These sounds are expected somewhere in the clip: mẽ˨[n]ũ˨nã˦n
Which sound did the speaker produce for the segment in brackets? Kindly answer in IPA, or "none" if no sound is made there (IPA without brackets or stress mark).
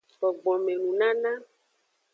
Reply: n